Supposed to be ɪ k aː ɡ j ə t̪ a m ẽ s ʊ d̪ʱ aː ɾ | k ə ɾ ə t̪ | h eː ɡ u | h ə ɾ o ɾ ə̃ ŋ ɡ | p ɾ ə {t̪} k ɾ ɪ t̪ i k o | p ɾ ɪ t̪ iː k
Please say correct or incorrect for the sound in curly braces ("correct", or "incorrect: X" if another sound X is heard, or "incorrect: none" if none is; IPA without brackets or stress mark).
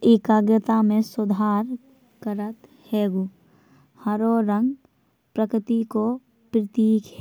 incorrect: none